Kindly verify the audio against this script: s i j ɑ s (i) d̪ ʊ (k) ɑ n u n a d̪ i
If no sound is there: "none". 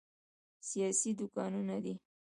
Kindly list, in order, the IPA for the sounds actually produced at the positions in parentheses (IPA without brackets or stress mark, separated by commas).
i, k